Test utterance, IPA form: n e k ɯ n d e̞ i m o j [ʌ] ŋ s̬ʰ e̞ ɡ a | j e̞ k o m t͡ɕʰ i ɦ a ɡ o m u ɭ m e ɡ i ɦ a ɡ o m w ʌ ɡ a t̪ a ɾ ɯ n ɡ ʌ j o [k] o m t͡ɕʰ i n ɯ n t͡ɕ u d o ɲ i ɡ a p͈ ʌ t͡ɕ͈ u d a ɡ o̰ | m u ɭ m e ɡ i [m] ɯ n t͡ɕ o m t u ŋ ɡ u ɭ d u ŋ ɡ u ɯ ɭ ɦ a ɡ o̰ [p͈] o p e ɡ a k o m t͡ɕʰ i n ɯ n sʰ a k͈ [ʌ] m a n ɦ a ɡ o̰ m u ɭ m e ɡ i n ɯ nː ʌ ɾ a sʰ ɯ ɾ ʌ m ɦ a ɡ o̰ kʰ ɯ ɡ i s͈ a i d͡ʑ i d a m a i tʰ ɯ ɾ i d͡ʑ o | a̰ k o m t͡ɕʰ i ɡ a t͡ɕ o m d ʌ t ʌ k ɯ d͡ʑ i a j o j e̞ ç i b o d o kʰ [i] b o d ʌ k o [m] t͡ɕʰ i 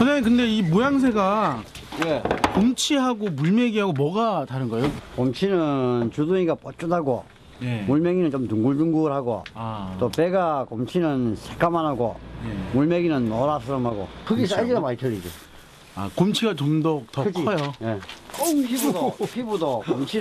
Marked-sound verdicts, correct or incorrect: incorrect: a, correct, incorrect: n, incorrect: t͈, incorrect: a, correct, correct

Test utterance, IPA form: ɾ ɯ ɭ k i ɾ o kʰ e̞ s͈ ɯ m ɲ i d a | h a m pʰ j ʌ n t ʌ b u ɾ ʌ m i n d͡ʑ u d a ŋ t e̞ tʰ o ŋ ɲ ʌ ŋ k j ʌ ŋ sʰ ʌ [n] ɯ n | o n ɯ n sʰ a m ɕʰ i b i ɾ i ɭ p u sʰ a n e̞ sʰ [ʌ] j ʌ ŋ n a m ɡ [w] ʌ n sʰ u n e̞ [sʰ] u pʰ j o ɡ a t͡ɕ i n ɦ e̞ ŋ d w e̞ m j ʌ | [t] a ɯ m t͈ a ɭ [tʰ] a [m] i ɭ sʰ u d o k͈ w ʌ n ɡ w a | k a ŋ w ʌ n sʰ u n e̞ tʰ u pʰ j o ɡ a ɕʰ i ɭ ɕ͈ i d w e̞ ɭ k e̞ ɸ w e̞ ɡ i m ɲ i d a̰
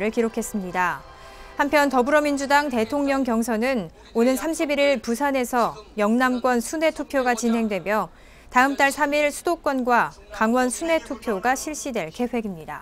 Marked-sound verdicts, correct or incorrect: correct, correct, correct, incorrect: tʰ, correct, incorrect: sʰ, correct

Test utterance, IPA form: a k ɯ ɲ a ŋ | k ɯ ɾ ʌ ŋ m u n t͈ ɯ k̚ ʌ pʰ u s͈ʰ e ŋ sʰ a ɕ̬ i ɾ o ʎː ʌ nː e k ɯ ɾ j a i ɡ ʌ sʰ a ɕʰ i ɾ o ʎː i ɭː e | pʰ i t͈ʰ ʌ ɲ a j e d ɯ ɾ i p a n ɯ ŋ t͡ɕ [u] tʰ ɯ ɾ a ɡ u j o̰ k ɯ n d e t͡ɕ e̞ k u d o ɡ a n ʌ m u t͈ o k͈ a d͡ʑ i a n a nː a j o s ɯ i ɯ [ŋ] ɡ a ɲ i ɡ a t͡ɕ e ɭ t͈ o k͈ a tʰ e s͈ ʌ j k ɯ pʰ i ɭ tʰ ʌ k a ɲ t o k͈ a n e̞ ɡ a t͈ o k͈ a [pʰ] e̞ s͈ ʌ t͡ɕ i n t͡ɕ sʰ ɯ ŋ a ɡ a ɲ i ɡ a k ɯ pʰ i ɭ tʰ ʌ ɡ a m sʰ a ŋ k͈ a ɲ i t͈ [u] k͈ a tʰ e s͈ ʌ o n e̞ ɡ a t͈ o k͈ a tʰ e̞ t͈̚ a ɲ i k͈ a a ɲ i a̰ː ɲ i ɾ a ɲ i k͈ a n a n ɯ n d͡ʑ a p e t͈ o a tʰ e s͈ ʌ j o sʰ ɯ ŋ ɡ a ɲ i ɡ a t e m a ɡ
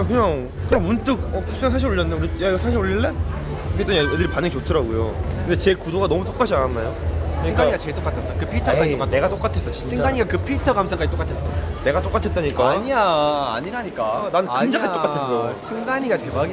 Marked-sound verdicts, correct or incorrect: incorrect: o, correct, incorrect: tʰ, incorrect: o

